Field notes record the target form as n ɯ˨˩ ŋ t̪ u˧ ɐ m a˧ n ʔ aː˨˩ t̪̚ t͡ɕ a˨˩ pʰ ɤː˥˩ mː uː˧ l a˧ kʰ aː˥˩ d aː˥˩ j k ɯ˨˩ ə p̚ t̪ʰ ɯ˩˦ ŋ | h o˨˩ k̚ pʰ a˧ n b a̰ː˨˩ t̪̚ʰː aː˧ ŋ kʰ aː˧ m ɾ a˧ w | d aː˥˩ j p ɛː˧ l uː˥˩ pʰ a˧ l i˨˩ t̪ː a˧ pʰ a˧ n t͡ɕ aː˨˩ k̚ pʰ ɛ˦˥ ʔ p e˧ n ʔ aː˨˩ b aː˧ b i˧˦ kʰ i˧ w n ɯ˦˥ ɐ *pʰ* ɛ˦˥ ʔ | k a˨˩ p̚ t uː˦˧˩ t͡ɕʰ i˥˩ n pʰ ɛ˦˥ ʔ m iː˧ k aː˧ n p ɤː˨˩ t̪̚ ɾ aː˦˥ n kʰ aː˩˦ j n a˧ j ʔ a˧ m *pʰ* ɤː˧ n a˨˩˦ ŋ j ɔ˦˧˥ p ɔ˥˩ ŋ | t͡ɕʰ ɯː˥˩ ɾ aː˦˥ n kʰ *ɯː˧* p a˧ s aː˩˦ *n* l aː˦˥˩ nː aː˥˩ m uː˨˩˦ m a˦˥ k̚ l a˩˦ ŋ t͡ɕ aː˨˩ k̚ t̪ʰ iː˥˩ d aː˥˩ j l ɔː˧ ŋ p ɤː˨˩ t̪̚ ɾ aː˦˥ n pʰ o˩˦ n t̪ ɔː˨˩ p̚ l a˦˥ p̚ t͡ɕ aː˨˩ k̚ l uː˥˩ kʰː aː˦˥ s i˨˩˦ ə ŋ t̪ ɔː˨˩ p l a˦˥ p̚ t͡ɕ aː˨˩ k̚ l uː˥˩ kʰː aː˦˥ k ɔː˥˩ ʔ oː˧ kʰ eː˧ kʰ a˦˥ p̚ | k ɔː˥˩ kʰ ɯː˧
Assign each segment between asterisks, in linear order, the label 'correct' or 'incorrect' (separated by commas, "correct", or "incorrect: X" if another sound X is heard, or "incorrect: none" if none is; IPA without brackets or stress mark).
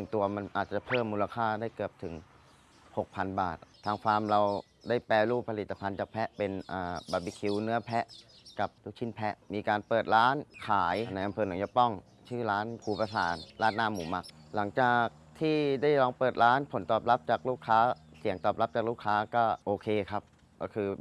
correct, correct, incorrect: uː˧, correct